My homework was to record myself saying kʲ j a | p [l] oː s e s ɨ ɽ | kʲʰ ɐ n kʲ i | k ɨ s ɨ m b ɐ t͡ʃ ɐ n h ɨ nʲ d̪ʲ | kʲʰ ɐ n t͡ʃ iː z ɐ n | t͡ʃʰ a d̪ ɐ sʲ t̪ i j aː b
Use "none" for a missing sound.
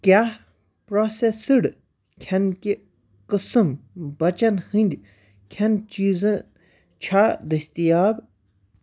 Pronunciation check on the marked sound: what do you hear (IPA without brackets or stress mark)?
ɾ